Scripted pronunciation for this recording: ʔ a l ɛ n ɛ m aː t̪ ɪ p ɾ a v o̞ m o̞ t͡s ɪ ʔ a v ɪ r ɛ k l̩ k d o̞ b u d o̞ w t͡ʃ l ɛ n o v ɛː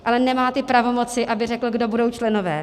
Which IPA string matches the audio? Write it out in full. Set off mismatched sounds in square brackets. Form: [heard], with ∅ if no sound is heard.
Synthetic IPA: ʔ a l ɛ n ɛ m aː t̪ ɪ p ɾ a v o̞ m o̞ t͡s ɪ ʔ a [b] ɪ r ɛ k l̩ [ɡ] d o̞ b u d o̞ w t͡ʃ l ɛ n o v ɛː

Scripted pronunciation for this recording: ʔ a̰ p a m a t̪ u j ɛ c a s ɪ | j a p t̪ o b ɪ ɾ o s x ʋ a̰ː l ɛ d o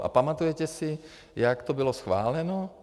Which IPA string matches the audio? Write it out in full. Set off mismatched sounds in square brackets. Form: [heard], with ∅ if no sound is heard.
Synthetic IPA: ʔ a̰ p a m a t̪ u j ɛ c [ɛ] s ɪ | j a [k] t̪ o b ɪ [l] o s x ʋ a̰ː l ɛ [n] o

